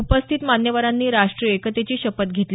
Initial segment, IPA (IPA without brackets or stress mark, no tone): u